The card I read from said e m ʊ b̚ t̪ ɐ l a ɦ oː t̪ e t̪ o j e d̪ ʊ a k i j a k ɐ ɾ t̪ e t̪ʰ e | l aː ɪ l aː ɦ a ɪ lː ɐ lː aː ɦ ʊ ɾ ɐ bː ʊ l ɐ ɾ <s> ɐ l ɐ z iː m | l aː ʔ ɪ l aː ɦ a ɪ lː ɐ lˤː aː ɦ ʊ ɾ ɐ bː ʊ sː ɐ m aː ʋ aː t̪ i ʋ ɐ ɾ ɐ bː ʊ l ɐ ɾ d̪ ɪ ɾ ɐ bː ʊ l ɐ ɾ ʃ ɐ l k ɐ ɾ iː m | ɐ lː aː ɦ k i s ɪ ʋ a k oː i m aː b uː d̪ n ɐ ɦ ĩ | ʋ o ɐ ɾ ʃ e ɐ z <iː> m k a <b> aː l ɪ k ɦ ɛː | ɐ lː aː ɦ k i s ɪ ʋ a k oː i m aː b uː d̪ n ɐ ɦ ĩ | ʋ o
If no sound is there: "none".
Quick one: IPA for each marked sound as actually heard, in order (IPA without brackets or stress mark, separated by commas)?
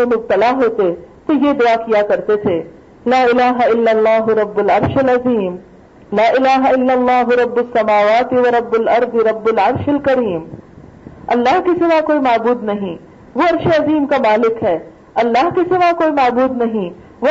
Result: ʃ, iː, m